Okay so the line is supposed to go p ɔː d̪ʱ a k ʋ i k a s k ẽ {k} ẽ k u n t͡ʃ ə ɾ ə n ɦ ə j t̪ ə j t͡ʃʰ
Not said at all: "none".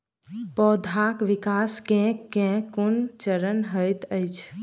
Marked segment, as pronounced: k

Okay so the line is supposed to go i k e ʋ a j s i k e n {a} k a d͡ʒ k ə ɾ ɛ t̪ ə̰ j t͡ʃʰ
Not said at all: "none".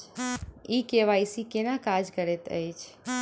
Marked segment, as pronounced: a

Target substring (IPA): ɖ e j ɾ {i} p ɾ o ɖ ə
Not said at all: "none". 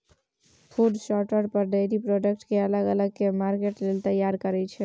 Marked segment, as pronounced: i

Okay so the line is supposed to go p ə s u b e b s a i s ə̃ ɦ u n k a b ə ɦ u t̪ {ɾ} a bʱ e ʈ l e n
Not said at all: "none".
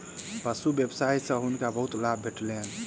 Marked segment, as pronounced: l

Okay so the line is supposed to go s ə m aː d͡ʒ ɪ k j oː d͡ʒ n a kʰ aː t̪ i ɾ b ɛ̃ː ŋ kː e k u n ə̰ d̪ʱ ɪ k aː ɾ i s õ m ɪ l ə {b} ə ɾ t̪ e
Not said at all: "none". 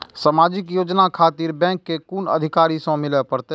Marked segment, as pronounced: p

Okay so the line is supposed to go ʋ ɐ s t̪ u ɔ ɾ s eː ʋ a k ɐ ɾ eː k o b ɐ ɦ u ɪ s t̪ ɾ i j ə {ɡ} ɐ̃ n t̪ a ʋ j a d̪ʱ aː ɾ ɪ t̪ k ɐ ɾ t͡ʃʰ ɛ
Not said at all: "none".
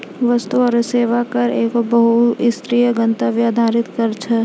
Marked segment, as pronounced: ɡ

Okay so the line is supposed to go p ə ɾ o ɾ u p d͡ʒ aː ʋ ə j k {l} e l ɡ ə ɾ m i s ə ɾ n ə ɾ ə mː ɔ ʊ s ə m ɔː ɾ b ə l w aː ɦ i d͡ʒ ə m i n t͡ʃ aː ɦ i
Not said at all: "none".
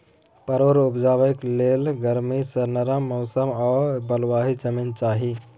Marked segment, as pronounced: l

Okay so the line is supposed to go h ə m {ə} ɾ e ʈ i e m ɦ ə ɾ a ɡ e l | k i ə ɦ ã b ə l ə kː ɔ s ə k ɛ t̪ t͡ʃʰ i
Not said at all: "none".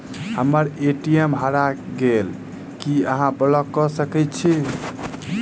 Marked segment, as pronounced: ə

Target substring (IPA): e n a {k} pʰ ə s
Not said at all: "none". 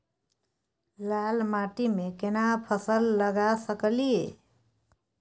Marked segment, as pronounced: none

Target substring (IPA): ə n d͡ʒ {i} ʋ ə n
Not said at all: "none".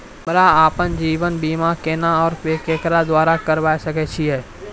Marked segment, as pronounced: iː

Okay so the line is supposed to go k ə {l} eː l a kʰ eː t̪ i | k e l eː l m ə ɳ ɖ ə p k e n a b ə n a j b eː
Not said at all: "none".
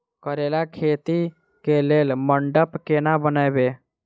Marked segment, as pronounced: ɾ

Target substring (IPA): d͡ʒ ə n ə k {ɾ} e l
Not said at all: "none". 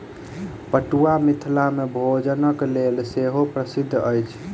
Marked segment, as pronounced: l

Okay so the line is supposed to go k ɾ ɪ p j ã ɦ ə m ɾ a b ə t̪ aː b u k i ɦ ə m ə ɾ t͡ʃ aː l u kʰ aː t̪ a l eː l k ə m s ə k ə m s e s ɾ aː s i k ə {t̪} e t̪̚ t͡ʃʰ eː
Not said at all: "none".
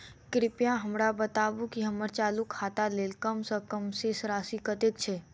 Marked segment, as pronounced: t̪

